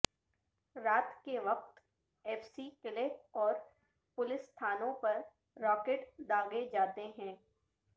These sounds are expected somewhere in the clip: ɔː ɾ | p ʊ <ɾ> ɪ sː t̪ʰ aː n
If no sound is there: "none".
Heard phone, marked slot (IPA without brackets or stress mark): l